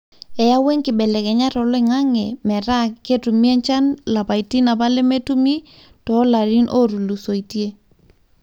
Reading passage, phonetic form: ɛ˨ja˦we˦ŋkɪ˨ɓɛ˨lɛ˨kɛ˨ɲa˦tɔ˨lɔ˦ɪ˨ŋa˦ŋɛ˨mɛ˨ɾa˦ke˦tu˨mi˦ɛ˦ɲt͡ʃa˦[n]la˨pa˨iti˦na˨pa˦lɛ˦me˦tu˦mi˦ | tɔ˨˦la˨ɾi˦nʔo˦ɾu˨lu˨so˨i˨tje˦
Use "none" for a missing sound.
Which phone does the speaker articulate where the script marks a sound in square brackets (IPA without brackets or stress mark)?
n